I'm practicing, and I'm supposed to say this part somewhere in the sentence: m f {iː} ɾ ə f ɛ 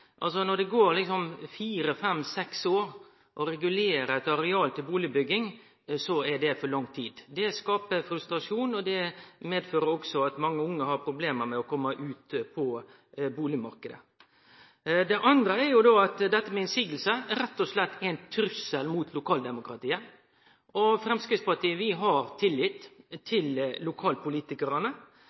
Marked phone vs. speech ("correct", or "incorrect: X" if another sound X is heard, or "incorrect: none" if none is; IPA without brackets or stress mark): correct